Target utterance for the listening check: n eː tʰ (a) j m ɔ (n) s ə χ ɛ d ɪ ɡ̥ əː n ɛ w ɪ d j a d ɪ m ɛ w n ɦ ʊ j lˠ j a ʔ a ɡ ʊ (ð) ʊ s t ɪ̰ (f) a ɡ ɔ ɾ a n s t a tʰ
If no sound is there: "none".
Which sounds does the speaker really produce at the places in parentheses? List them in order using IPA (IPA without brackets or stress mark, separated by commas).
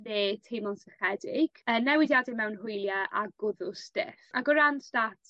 e, n, ð, f